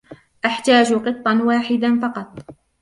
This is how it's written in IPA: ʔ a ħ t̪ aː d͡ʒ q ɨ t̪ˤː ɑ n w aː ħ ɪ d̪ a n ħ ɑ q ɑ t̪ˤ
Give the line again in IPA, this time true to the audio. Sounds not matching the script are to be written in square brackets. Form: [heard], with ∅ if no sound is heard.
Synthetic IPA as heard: ʔ a ħ t̪ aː d͡ʒ q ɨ t̪ˤː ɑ n w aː ħ ɪ d̪ a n [f] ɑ q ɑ t̪ˤ